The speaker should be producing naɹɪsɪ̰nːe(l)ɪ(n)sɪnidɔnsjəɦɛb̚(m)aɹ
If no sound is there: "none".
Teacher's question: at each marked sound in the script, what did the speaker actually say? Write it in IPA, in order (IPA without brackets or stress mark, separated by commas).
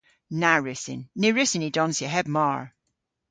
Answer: ɹ, none, m